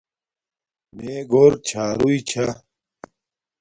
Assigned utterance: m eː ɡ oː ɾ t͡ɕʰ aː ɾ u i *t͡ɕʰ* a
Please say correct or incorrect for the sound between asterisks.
correct